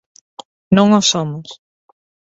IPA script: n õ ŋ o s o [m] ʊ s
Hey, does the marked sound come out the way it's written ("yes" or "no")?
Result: yes